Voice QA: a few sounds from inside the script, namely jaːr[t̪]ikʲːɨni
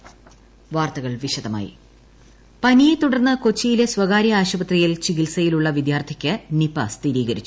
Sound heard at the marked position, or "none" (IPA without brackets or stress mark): t̪ʰ